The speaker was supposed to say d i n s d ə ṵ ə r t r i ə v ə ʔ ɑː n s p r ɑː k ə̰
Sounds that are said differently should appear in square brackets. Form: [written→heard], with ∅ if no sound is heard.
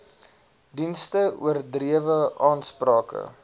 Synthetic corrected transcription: d i n s [d→t] ə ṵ ə r [t→d] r i ə v ə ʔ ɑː n s p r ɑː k ə̰